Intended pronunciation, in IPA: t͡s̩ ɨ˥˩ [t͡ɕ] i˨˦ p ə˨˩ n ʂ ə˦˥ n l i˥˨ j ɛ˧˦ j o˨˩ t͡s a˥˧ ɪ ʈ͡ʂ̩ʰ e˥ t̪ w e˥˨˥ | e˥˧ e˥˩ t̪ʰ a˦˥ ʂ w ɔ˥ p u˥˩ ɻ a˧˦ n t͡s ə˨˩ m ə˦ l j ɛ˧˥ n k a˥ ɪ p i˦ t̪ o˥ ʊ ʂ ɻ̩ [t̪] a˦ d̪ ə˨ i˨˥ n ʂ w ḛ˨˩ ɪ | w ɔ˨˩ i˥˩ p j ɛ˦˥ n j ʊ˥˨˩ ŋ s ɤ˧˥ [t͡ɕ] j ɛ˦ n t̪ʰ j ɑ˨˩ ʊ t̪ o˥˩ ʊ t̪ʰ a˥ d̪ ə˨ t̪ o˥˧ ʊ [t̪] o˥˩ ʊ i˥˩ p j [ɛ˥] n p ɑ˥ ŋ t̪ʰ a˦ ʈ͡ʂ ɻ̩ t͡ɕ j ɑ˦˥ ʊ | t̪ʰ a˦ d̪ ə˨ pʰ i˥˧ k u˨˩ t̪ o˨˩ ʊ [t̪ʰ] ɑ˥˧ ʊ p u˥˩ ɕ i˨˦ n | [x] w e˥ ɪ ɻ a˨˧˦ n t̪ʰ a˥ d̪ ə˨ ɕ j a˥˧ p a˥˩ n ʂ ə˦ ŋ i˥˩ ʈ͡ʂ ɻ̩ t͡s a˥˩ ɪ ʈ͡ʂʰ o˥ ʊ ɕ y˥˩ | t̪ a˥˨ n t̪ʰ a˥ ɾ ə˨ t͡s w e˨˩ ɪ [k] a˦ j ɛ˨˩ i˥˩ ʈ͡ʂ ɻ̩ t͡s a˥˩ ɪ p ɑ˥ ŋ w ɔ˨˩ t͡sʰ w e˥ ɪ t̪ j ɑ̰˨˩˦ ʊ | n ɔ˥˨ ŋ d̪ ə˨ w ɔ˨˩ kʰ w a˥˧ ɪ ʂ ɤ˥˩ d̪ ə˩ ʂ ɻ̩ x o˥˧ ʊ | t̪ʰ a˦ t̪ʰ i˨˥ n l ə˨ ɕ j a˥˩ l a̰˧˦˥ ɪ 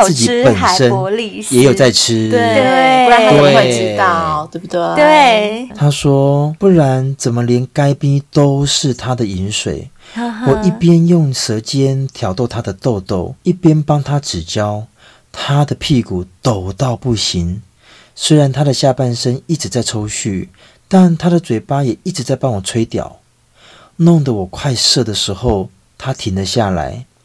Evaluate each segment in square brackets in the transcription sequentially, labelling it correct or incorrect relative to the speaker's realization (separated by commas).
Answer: correct, incorrect, correct, correct, correct, incorrect, incorrect, incorrect